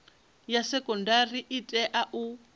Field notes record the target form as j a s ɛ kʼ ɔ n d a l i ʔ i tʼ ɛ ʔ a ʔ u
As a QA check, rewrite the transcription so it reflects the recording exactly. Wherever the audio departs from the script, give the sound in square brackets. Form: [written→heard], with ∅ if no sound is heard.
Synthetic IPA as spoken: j a s ɛ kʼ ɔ n d a [l→r] i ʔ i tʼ ɛ ʔ a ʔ u